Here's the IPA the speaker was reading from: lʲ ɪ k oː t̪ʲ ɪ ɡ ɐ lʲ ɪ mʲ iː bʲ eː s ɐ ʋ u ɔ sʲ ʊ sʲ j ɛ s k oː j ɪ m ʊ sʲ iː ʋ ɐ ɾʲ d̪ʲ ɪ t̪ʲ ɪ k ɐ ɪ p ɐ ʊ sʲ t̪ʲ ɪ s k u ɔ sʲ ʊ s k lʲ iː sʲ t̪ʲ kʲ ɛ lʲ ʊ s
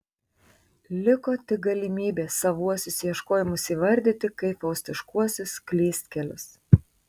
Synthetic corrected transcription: lʲ ɪ k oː t̪ʲ ɪ ɡ ɐ lʲ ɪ mʲ iː bʲ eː s ɐ ʋ u ɔ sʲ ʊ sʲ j ɛ ʃ k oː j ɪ m ʊ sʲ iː ʋ ɐ ɾʲ d̪ʲ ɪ t̪ʲ ɪ k ɐ ɪ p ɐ ʊ sʲ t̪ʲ ɪ ʃ k u ɔ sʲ ʊ s k lʲ iː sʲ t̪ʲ kʲ ɛ lʲ ʊ s